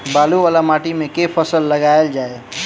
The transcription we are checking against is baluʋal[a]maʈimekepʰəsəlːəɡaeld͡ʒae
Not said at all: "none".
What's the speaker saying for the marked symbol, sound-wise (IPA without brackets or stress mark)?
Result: a